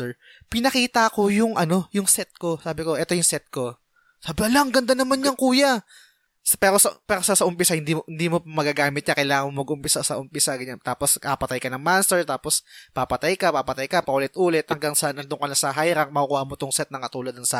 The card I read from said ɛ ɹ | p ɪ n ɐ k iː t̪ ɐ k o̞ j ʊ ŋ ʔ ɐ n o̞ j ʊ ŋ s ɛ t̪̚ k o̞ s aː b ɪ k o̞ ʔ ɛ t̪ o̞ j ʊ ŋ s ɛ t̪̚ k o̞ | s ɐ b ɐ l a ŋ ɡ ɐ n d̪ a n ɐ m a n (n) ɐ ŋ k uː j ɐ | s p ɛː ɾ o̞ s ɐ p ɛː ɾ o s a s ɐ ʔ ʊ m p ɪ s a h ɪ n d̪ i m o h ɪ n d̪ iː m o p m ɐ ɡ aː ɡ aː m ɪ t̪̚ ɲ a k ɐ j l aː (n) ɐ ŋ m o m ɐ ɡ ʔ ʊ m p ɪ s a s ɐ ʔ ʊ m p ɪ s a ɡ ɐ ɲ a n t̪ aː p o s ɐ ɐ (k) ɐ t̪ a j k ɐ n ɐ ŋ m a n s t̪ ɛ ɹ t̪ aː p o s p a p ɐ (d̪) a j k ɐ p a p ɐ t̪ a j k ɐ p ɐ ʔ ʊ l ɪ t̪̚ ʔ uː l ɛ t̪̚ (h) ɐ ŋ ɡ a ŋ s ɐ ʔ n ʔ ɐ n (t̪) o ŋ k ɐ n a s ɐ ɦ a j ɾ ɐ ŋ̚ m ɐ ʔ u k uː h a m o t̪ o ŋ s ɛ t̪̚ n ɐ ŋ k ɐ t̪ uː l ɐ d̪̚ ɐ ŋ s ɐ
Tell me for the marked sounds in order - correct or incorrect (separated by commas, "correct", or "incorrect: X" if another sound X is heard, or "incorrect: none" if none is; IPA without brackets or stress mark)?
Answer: incorrect: ɲ, incorrect: ŋ, incorrect: p, incorrect: t̪, correct, incorrect: d̪